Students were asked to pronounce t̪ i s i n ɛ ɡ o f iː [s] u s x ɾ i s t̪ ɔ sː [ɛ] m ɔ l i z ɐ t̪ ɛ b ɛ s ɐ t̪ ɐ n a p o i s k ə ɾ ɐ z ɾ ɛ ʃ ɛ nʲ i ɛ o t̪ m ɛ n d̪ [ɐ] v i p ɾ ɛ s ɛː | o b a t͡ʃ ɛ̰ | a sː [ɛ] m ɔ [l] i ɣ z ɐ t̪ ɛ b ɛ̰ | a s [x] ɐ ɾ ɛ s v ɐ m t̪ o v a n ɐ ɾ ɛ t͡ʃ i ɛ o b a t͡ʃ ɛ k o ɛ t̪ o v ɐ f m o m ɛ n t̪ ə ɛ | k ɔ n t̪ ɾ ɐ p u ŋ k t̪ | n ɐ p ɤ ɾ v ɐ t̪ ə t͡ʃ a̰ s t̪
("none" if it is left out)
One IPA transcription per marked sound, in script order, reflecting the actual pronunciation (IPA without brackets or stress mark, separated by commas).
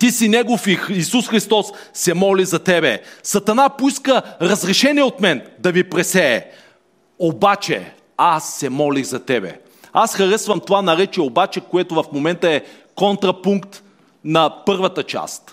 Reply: s, ɛ, ɐ, ɛ, l, x